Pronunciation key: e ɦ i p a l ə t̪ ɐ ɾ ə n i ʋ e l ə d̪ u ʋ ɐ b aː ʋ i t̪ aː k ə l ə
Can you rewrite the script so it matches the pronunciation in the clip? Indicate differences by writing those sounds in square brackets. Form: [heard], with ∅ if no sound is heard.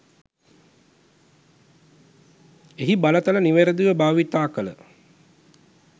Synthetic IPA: e ɦ i [b] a l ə t̪ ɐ [l] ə n i ʋ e [ɾ] ə d̪ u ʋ [ə] b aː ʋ i t̪ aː k ə l ə